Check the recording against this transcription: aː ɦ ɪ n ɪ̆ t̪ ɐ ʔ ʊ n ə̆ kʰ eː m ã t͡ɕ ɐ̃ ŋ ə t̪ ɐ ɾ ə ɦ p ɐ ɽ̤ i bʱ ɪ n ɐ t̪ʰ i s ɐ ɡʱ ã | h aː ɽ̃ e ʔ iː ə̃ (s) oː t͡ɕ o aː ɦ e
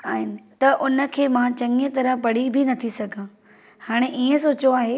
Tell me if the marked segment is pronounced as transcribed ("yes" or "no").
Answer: yes